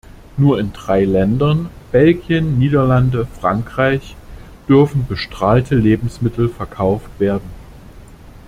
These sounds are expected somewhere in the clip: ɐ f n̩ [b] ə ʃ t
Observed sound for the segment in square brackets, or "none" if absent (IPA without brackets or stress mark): b